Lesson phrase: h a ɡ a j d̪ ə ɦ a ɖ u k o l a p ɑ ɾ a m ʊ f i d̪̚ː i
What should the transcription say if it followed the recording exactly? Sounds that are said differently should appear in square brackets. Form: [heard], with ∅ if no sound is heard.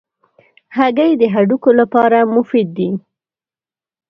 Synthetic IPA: h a ɡ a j d̪ ə ɦ a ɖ u k o l a p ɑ ɾ a m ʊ f i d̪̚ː i